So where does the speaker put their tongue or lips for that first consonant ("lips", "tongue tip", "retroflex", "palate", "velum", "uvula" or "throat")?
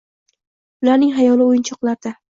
tongue tip